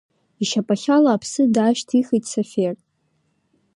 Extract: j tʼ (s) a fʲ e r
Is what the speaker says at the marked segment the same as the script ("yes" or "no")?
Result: yes